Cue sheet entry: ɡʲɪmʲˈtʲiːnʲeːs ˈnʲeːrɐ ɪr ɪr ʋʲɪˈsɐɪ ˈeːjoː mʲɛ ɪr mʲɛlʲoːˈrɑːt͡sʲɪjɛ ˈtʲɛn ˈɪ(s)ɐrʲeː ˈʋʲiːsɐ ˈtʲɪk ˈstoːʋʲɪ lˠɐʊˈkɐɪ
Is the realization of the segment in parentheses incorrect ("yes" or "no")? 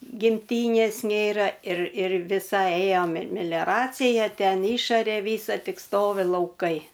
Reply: yes